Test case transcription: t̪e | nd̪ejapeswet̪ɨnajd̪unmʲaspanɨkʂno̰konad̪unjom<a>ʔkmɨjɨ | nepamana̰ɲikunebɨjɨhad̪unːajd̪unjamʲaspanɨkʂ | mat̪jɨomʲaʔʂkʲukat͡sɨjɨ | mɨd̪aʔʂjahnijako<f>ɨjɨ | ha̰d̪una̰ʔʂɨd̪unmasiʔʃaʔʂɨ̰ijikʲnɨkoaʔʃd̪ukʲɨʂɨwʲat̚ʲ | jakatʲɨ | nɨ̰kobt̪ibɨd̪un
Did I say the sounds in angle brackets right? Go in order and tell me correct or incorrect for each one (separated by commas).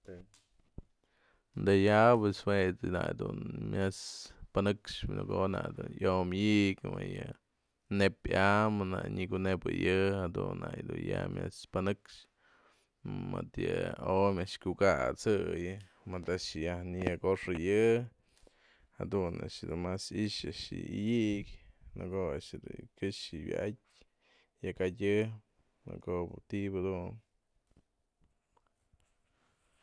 incorrect, incorrect